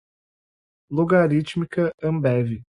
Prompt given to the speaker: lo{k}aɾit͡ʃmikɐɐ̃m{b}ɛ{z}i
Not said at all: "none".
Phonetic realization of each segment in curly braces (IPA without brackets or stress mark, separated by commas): ɡ, b, v